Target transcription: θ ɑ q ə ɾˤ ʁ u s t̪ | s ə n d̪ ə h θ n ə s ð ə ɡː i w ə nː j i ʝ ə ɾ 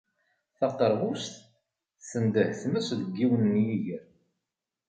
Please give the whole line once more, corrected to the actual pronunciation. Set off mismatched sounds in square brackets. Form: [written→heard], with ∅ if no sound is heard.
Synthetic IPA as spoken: θ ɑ q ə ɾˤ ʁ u s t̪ | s ə n d̪ ə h θ [n→m] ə s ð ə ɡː i w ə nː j i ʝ ə ɾ